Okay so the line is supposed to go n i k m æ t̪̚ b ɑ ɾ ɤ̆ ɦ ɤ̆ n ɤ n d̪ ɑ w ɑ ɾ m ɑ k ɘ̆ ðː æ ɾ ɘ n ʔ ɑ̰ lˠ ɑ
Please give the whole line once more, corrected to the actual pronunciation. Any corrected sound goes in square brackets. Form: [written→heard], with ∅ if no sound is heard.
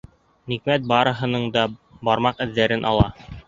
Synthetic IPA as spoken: n i k m æ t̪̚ b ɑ ɾ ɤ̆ ɦ ɤ̆ n ɤ [n→ɴ] d̪ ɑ [w→b] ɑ ɾ m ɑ [k→q] ɘ̆ ðː æ ɾ ɘ n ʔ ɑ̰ lˠ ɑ